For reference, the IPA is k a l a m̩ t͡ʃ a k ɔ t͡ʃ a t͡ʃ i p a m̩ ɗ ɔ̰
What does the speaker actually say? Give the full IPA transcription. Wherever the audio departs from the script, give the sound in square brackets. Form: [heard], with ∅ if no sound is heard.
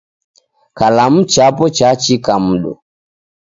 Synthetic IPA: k a l a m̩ t͡ʃ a [p] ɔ t͡ʃ a t͡ʃ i [k] a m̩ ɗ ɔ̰